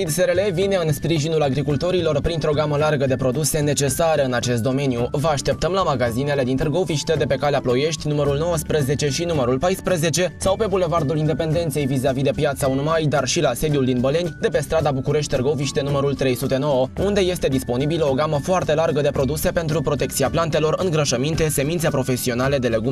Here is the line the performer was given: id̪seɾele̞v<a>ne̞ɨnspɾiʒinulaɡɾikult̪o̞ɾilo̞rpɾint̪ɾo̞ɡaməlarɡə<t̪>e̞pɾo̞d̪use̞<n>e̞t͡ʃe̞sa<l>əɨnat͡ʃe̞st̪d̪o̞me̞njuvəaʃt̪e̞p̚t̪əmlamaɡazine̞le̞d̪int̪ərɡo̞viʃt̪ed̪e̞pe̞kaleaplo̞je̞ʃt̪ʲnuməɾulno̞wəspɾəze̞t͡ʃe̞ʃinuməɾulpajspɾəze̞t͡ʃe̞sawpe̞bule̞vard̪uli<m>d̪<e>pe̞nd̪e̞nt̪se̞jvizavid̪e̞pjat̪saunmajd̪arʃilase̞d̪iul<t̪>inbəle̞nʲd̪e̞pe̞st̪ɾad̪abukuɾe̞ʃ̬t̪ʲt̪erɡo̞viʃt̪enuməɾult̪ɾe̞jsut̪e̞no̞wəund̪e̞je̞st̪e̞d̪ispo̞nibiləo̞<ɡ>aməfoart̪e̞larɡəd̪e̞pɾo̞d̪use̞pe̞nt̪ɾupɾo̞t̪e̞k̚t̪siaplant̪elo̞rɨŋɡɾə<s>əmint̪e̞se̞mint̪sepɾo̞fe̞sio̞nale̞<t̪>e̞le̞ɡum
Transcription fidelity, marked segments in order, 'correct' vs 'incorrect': incorrect: i, incorrect: d̪, correct, incorrect: ɾ, incorrect: n, correct, incorrect: d̪, correct, incorrect: ʃ, incorrect: d̪

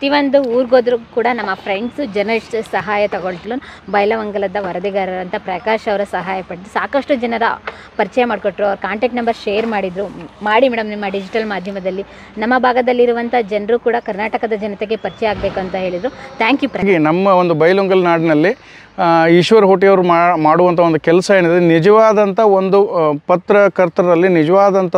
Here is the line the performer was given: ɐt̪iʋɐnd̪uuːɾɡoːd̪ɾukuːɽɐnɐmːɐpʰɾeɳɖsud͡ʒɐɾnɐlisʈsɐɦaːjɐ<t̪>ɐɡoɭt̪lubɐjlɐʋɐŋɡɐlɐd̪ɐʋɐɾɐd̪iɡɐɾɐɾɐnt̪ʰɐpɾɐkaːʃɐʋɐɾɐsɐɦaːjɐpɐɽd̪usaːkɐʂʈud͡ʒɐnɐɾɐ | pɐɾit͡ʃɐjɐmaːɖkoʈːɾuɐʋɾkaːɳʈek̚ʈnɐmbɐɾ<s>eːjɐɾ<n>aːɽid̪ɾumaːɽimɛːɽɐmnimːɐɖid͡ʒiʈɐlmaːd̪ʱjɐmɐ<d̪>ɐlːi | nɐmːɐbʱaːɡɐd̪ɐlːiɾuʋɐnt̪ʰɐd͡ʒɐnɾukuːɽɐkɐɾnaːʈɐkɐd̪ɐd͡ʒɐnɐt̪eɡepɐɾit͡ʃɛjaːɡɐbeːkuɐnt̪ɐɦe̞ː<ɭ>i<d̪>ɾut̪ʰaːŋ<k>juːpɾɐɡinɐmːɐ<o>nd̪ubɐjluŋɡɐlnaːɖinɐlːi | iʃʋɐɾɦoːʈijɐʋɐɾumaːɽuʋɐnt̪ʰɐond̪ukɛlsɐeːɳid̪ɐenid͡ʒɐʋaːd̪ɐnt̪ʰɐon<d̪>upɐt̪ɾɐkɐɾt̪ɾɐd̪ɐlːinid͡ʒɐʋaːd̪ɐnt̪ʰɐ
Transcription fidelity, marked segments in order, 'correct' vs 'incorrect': correct, incorrect: ʃ, incorrect: m, correct, correct, correct, correct, correct, correct

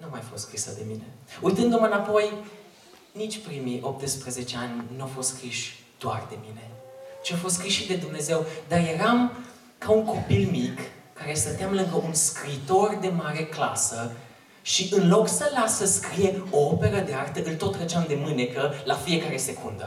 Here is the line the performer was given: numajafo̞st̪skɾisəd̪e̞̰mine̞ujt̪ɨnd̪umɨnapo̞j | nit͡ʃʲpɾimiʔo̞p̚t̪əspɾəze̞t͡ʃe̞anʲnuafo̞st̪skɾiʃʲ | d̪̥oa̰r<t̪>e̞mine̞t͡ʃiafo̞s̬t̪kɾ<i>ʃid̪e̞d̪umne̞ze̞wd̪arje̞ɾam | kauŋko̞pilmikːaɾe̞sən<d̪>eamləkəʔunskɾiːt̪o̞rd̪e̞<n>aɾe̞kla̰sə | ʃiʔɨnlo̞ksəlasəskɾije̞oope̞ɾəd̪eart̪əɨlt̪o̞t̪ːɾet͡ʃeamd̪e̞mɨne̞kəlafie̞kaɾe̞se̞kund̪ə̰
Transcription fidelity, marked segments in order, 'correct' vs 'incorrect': incorrect: d̪, correct, incorrect: t̪, incorrect: m

